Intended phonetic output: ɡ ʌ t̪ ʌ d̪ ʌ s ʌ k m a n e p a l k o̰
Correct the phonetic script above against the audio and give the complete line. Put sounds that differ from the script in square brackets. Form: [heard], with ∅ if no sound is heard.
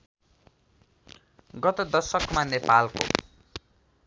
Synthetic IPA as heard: ɡ ʌ t̪ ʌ d̪ ʌ s ʌ k m a n e p a l k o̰